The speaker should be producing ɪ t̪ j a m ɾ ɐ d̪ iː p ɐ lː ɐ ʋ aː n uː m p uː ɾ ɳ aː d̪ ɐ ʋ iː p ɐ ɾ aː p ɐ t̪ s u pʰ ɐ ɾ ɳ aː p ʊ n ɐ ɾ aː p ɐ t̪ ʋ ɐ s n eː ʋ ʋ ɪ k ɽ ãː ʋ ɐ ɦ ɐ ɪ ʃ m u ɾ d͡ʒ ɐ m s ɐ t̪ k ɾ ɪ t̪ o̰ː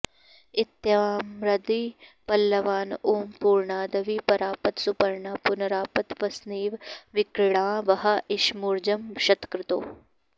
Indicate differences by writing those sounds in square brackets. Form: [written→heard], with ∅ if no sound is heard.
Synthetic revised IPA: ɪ t̪ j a m ɾ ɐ d̪ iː p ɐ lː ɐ ʋ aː n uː m p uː ɾ ɳ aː d̪ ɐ ʋ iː p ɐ ɾ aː p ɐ t̪ s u [pʰ→p] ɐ ɾ ɳ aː p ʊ n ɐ ɾ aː p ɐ t̪ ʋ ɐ s n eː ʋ ʋ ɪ k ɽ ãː ʋ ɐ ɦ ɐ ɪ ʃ m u ɾ d͡ʒ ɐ m [s→ʃ] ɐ t̪ k ɾ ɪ t̪ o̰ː